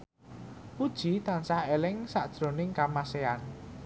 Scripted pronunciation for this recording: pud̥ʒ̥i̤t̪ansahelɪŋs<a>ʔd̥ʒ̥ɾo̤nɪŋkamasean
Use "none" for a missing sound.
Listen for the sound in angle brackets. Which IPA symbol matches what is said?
a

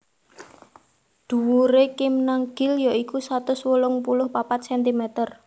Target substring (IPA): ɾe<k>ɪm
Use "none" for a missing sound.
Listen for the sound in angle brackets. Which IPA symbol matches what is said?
k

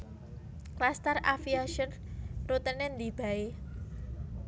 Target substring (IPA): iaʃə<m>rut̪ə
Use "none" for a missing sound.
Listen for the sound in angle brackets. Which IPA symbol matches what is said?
n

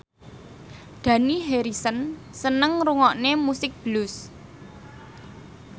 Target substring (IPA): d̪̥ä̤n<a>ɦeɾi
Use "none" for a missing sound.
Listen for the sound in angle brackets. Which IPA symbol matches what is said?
i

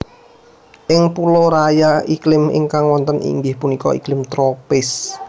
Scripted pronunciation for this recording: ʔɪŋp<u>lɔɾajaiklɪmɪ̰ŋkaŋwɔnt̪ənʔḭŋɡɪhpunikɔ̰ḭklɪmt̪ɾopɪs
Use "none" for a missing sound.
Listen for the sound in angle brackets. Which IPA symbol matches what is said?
u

